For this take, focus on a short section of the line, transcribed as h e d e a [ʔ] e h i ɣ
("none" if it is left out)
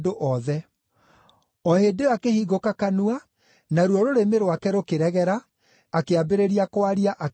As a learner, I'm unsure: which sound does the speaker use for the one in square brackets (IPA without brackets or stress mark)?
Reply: k